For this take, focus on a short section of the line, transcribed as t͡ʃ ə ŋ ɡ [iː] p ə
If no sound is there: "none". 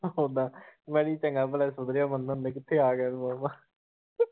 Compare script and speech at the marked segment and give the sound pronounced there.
aː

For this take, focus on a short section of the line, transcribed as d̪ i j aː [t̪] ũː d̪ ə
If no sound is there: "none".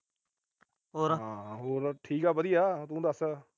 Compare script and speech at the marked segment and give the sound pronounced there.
t̪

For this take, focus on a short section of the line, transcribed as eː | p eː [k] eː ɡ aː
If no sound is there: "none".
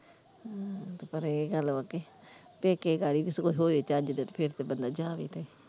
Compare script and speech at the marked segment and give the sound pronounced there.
k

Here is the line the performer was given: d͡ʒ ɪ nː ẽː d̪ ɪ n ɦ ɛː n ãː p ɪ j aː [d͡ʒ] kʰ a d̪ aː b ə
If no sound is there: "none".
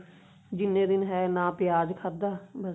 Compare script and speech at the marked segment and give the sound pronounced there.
d͡ʒ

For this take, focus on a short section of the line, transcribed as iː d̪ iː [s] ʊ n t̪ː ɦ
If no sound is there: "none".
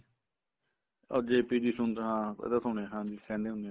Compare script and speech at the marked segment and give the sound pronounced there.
s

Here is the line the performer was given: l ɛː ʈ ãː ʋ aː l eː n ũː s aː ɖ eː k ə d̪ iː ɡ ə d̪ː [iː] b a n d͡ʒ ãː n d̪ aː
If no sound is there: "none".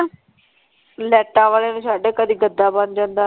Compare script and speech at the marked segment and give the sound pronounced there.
aː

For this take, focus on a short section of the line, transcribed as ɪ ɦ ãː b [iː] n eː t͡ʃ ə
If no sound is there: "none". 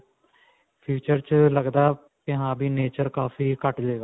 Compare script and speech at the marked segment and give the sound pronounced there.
iː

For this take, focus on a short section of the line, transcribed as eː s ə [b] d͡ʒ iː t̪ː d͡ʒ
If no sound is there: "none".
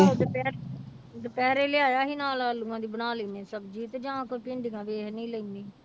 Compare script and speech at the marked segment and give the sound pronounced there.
b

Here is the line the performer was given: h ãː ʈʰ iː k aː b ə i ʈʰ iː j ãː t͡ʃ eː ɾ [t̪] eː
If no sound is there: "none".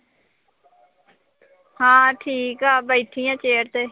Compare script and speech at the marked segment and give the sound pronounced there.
t̪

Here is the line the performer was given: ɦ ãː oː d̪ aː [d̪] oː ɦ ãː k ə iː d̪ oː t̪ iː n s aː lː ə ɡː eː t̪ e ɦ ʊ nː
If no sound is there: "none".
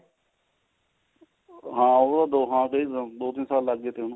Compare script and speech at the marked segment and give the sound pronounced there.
d̪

